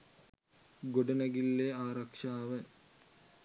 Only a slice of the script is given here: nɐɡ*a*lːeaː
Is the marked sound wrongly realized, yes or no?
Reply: yes